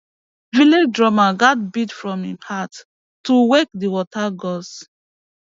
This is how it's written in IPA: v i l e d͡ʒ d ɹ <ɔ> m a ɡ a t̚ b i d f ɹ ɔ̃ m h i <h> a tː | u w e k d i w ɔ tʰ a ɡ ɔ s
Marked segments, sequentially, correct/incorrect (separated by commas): correct, correct